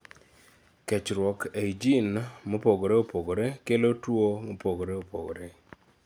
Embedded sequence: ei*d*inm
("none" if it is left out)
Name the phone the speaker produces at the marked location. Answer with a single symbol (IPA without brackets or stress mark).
d͡ʒ